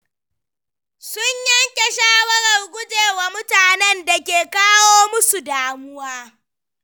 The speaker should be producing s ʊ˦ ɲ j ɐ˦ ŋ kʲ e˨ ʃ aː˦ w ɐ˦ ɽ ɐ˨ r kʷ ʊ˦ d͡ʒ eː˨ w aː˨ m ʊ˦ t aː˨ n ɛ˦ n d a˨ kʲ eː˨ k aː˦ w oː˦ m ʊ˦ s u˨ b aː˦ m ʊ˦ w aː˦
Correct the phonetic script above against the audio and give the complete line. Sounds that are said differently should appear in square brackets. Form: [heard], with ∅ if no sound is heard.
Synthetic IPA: s ʊ˦ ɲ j ɐ˦ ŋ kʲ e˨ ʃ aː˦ w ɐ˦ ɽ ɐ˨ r [ɡʷ] ʊ˦ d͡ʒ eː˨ w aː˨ m ʊ˦ t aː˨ n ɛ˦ n d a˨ kʲ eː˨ k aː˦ w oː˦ m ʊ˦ s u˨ [d] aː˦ m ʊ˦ w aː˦